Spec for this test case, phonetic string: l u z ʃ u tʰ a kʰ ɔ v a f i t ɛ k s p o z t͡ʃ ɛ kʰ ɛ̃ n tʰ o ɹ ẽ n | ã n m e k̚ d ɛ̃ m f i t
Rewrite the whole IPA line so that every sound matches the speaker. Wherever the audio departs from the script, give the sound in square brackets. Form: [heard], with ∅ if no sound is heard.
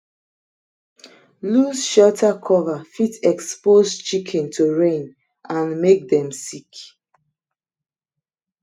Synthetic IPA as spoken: l u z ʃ [ɔ] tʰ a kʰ ɔ v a f i t ɛ k s p o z t͡ʃ [i] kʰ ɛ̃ n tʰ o ɹ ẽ n | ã n m e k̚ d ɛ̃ m [s] i [k]